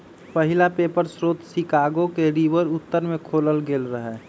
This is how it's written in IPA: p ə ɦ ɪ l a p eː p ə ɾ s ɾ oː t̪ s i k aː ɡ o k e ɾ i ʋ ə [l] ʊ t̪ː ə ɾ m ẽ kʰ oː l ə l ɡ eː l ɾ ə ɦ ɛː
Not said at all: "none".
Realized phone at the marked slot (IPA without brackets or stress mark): ɾ